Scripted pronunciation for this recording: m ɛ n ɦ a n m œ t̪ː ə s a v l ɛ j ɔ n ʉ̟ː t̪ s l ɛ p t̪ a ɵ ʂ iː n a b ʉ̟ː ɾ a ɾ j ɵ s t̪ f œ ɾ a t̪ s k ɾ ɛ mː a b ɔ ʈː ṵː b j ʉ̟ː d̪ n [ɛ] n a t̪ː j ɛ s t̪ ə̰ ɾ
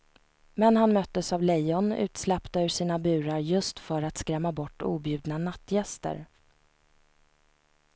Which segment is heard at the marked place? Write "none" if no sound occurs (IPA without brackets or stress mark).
a